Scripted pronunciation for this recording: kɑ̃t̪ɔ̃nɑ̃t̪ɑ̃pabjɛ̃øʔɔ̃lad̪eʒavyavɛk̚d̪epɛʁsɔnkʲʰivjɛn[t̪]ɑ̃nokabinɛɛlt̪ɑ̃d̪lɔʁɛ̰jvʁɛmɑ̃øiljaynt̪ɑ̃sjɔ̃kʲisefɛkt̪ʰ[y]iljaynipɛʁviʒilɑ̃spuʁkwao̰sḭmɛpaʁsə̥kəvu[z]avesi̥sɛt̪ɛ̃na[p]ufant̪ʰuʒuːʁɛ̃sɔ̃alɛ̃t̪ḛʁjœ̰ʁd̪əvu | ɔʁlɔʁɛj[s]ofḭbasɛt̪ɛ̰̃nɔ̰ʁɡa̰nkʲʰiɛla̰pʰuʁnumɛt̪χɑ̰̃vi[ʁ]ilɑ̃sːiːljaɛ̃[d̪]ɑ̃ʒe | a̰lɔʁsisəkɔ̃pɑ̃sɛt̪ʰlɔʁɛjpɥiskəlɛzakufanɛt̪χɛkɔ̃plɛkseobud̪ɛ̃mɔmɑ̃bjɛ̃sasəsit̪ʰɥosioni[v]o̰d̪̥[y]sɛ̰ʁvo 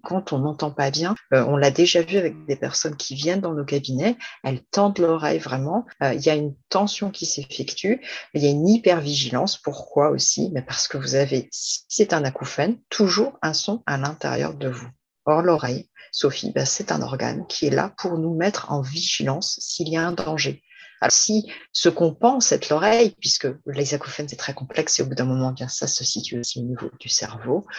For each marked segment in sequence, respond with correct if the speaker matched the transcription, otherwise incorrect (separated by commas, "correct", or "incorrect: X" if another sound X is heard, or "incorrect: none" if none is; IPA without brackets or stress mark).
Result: incorrect: d̪, correct, correct, incorrect: k, correct, incorrect: ʒ, correct, correct, correct